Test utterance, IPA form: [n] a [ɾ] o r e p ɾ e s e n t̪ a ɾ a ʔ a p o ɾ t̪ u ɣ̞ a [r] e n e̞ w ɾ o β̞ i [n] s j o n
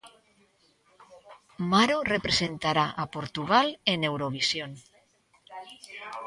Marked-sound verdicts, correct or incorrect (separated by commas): incorrect, correct, incorrect, incorrect